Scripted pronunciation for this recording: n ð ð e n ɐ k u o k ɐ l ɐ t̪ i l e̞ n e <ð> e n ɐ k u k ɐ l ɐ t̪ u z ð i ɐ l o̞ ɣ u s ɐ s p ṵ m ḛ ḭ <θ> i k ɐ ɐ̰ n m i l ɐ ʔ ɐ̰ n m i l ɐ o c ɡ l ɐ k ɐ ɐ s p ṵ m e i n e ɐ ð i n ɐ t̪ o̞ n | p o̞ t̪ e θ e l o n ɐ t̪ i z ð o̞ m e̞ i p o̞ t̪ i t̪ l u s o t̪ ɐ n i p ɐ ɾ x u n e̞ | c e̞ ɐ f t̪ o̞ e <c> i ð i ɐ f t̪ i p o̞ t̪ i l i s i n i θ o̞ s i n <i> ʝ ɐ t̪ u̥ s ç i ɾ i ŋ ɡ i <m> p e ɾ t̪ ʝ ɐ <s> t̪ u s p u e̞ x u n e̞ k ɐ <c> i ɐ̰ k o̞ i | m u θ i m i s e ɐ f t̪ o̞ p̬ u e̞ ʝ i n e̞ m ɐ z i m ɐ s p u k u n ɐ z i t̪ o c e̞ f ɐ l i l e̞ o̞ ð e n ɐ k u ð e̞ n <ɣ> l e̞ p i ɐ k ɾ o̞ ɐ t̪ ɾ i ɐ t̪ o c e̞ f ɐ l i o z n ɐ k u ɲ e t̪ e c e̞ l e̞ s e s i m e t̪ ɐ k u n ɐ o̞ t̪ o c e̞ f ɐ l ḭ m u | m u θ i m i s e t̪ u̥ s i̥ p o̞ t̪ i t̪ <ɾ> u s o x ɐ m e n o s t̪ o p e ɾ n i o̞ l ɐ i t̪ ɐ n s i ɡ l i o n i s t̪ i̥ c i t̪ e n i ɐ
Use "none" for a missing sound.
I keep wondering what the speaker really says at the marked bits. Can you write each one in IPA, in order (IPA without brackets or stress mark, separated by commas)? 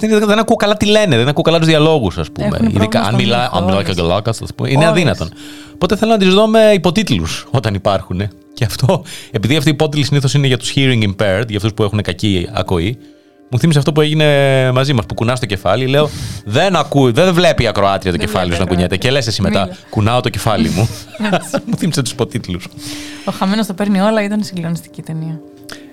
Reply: ð, ð, p, e, m, f, c, v, l